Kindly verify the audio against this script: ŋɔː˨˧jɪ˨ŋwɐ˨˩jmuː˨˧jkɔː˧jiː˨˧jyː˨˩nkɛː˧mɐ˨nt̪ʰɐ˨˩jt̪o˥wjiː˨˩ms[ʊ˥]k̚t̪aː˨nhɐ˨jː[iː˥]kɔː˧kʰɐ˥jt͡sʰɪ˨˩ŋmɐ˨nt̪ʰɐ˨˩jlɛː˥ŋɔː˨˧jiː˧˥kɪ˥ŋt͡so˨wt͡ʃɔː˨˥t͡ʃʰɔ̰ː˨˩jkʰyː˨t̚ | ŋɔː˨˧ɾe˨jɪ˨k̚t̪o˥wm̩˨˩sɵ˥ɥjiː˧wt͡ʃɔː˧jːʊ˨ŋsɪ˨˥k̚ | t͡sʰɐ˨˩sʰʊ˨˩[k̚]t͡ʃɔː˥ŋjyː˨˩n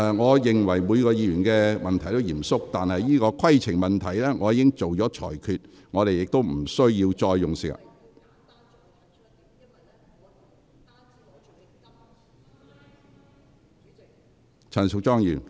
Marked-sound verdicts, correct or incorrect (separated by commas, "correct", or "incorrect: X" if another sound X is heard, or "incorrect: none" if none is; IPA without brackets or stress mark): correct, correct, correct